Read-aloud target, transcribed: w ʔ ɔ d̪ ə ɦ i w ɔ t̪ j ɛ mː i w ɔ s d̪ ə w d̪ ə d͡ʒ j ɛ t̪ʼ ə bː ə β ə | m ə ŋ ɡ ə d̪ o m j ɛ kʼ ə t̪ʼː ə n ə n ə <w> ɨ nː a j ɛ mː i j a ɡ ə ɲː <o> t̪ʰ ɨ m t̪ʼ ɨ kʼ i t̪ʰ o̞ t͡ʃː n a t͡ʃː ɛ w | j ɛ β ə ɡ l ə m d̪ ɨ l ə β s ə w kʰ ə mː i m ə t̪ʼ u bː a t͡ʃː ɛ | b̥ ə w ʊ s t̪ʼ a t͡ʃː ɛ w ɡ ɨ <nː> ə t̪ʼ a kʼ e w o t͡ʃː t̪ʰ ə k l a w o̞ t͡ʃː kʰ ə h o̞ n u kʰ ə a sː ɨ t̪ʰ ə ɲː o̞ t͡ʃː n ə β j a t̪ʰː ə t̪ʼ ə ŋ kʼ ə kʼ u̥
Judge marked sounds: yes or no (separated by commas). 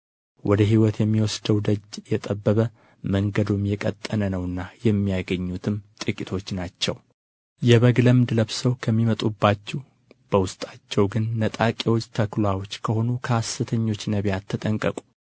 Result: yes, no, yes